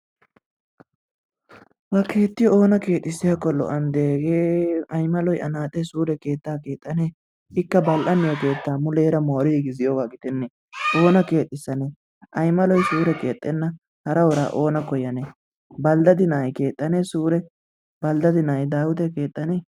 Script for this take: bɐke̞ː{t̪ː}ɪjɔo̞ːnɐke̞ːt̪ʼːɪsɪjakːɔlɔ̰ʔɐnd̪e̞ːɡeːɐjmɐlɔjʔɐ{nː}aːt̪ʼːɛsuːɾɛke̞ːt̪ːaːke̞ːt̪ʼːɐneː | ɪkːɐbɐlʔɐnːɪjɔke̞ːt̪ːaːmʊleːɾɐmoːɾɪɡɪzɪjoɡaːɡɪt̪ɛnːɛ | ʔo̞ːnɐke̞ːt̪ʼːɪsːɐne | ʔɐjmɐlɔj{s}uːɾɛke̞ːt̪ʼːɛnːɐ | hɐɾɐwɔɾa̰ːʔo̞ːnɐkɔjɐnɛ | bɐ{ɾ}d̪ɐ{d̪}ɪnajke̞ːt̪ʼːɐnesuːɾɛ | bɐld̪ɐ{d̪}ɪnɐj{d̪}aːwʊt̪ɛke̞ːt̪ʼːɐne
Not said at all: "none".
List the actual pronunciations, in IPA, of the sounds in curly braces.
t̪ː, n, s, l, d̪, d̪, d̪

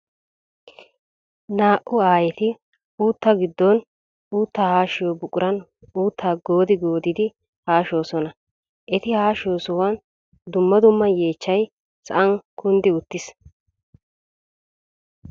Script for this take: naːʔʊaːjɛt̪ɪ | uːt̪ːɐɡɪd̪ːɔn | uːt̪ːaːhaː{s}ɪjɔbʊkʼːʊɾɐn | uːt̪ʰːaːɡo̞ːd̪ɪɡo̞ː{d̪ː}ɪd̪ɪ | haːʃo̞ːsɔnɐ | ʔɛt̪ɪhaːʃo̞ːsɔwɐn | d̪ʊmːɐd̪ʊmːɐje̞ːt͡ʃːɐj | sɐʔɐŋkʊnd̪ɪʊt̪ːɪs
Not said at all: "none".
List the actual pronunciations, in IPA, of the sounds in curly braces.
ʃ, d̪

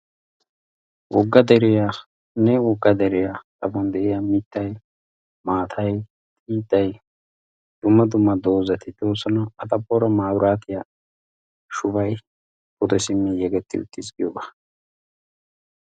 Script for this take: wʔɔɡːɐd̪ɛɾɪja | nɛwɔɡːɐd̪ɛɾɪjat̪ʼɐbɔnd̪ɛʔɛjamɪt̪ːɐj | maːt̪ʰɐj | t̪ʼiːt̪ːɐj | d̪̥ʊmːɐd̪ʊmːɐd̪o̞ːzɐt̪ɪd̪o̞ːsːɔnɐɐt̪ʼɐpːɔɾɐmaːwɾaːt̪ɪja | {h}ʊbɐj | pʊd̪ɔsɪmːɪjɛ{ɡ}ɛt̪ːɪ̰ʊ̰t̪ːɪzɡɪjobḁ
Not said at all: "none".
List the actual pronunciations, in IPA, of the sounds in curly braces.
ʃ, ɡ

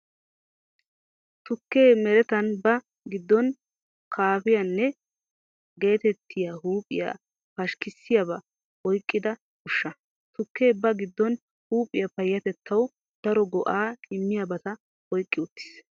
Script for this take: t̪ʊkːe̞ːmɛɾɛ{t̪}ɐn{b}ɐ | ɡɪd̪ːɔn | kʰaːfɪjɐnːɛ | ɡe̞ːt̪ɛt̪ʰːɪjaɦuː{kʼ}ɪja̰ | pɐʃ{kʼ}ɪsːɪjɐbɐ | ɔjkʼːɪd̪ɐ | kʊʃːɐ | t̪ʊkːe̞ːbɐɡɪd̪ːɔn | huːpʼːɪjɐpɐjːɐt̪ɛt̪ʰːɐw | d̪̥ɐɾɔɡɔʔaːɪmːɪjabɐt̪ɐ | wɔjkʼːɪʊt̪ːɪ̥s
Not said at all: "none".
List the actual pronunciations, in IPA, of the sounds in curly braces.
t̪, b, pʼ, k

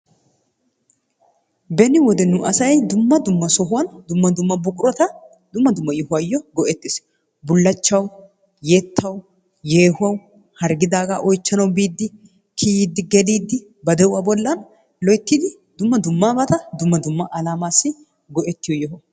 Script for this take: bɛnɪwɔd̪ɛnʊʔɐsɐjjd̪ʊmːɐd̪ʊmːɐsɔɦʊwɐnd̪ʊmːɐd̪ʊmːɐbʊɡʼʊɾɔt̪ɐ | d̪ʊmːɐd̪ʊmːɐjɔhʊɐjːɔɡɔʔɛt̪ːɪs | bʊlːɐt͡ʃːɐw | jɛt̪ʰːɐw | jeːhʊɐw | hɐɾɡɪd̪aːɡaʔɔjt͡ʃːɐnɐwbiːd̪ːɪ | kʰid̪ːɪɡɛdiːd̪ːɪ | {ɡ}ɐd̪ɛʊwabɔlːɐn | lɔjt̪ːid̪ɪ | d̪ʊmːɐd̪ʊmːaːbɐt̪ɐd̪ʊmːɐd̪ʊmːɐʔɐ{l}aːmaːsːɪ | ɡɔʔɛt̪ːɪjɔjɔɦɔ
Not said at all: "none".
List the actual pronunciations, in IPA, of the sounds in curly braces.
b, l

